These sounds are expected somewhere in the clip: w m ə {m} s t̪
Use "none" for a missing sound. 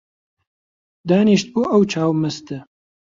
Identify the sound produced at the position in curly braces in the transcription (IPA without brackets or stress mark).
none